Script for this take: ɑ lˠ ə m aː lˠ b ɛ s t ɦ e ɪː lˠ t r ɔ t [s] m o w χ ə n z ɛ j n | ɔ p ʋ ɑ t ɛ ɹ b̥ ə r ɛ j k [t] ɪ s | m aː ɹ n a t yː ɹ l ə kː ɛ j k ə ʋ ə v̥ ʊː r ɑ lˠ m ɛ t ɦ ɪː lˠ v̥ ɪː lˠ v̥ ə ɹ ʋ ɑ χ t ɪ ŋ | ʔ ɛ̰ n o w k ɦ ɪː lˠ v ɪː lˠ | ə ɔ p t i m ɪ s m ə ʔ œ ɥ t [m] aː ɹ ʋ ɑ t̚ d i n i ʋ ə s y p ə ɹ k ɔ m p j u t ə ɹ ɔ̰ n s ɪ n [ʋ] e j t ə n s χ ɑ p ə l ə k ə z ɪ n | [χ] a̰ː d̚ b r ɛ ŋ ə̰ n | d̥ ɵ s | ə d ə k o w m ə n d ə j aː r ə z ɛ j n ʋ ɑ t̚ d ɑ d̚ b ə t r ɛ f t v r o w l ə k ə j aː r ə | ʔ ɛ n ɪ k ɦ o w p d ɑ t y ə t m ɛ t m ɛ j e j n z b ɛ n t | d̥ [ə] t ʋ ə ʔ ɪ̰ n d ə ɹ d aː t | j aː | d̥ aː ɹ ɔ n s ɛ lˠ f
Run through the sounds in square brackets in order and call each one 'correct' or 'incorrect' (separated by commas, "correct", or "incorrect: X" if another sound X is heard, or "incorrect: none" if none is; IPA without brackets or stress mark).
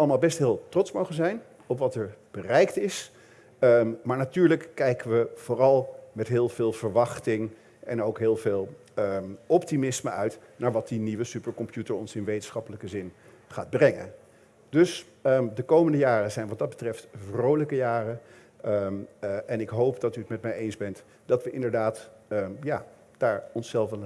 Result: correct, correct, incorrect: n, correct, correct, incorrect: ɑ